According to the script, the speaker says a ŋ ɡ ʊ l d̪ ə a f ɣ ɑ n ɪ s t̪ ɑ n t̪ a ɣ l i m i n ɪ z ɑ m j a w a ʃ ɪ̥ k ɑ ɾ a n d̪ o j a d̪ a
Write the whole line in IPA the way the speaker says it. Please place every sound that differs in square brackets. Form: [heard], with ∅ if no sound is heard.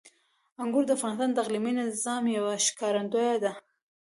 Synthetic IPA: a ŋ ɡ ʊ [ɾ] d̪ ə a f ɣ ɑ n ɪ s t̪ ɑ n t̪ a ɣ l i m i n ɪ z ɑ m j a w a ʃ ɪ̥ k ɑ ɾ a n d̪ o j a d̪ a